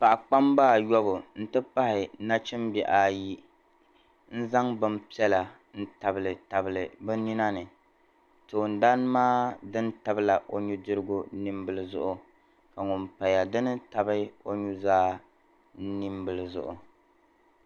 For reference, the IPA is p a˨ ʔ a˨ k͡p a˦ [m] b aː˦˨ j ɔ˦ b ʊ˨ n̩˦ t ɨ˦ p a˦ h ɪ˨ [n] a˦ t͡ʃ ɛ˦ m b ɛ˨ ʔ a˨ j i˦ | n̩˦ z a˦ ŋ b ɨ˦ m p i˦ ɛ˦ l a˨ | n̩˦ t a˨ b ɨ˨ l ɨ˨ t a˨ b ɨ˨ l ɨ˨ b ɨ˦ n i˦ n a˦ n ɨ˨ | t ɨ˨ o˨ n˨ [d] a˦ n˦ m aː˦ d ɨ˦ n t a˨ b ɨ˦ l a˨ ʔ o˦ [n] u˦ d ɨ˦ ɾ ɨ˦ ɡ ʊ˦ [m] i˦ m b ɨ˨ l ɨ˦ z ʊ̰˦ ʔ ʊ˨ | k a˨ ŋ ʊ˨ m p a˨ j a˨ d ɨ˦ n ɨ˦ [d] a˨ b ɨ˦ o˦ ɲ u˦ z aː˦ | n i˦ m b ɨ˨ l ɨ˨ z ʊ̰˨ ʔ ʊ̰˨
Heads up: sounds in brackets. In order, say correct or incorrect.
correct, correct, correct, incorrect: ɲ, incorrect: n, incorrect: t

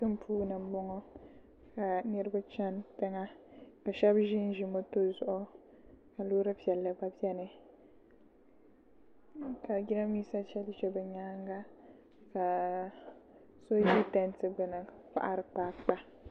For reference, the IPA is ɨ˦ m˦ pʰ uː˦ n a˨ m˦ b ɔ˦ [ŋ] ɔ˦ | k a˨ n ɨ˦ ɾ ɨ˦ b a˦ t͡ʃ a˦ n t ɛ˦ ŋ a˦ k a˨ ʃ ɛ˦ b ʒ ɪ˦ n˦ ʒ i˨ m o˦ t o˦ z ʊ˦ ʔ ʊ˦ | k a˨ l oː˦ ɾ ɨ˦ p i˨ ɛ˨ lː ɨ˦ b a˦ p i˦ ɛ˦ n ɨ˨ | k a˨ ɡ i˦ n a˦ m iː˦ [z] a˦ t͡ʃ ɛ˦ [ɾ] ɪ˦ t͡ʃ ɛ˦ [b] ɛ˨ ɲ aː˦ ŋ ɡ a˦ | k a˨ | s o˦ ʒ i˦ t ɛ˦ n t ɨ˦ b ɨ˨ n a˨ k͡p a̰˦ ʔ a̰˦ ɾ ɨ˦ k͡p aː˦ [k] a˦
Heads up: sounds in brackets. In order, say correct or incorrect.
correct, incorrect: s, incorrect: l, correct, incorrect: k͡p

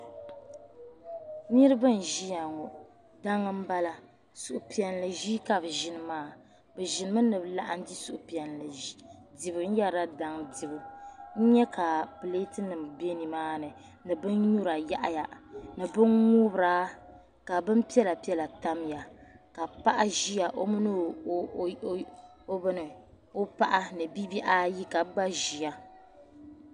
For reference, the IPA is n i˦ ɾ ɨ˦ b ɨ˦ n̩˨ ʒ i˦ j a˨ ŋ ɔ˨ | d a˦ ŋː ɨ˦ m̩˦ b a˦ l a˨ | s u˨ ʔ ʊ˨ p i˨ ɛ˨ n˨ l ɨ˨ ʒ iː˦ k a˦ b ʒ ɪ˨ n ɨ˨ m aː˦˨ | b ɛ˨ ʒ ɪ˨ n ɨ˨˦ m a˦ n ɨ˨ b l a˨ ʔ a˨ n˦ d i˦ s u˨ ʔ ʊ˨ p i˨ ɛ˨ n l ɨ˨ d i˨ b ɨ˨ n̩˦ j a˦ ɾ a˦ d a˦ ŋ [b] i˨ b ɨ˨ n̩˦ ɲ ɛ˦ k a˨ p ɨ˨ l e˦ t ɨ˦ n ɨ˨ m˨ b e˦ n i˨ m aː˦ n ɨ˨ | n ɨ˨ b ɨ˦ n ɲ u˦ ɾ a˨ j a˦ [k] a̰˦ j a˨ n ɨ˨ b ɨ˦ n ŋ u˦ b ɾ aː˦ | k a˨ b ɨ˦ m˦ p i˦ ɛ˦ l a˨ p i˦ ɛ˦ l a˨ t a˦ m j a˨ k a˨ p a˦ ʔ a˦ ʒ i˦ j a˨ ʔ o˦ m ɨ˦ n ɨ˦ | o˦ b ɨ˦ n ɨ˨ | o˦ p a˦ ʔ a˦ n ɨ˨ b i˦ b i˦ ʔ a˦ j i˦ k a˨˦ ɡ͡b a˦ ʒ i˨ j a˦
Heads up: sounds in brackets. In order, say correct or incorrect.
incorrect: d, incorrect: ʔ

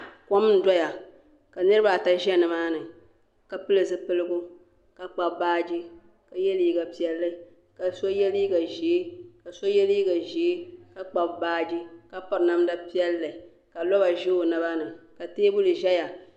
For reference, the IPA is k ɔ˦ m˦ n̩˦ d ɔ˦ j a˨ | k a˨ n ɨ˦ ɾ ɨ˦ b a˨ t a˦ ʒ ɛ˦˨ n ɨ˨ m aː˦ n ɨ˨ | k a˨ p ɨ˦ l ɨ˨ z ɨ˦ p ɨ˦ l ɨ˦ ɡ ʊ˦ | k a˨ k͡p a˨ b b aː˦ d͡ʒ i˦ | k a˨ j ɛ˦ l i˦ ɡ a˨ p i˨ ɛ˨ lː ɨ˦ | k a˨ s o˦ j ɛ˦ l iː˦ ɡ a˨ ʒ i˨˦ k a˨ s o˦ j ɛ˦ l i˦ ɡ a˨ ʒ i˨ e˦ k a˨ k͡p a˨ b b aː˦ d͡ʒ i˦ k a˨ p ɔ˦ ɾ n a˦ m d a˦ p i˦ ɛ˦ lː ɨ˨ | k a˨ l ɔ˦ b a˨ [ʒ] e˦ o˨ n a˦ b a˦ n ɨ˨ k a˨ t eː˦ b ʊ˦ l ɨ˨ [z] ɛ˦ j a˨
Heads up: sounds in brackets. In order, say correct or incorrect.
correct, incorrect: ʒ

